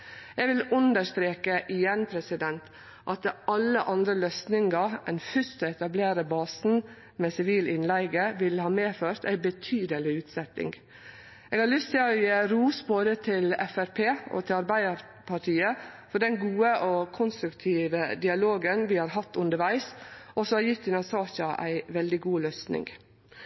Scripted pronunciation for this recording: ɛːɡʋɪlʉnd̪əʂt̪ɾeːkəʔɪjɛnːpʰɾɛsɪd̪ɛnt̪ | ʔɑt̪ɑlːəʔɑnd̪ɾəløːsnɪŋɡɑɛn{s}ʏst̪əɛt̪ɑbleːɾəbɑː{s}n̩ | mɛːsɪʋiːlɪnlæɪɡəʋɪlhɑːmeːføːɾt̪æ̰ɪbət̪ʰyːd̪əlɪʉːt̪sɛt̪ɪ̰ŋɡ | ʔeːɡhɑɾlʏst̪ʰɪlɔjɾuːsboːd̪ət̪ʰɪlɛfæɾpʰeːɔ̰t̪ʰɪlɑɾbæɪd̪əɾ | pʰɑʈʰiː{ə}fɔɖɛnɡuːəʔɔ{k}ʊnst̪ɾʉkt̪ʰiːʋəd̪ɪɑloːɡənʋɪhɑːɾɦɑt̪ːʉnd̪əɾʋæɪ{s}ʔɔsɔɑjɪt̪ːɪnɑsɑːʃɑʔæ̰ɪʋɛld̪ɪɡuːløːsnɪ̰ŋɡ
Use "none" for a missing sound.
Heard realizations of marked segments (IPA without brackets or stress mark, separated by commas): f, s, ə, kʰ, s